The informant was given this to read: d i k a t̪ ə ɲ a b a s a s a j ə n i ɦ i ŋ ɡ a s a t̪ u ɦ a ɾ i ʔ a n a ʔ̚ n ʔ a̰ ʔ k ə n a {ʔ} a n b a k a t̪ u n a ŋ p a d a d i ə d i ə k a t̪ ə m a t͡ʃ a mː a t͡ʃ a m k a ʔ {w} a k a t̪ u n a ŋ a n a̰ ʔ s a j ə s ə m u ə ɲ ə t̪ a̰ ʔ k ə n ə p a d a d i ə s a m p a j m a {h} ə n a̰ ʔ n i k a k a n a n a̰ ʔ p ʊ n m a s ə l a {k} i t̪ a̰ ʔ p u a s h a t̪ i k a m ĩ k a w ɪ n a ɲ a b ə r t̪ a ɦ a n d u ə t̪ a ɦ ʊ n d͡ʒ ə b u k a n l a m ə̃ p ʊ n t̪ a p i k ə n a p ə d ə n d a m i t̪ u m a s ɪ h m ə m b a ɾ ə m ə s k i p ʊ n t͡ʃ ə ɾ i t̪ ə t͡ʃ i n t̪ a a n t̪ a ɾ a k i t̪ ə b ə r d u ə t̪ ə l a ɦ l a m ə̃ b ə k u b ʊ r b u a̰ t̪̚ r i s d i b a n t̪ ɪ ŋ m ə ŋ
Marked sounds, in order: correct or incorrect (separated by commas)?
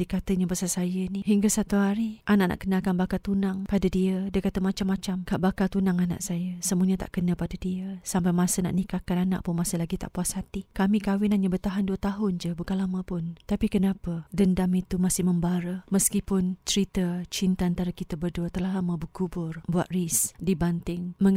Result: incorrect, incorrect, incorrect, incorrect